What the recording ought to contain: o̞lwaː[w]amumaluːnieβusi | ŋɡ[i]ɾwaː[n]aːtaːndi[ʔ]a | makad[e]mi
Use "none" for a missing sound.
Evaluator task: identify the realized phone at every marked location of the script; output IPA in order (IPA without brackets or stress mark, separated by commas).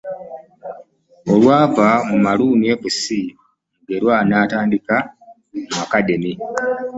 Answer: v, e, n, k, e